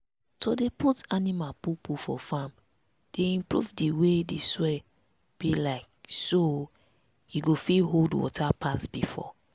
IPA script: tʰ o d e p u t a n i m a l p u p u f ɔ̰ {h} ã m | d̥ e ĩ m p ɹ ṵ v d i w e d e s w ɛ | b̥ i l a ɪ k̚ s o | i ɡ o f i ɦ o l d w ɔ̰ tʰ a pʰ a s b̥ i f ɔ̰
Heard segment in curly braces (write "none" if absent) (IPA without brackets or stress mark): f